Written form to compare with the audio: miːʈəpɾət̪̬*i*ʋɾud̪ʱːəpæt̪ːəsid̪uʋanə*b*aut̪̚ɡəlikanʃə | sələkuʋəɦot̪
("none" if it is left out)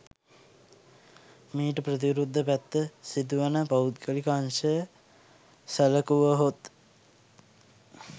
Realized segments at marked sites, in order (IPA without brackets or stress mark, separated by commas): i, p